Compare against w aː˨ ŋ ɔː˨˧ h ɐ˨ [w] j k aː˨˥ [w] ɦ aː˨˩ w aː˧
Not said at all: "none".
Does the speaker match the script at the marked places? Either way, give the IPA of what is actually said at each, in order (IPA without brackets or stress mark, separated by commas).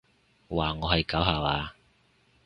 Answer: none, w